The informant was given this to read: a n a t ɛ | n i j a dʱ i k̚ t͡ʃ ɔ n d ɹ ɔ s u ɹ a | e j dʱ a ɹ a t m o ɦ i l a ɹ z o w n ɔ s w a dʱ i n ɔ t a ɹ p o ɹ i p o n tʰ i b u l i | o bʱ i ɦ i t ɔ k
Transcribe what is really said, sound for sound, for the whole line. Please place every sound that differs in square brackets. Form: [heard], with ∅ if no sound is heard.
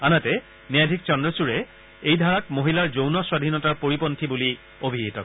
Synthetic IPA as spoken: a n a t ɛ | n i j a dʱ i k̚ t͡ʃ ɔ n d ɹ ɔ s u ɹ [ɛ] | e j dʱ a ɹ a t m o ɦ i l a ɹ z o w n ɔ s w a dʱ i n ɔ t a ɹ p o ɹ i p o n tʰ i b u l i | o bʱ i ɦ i t ɔ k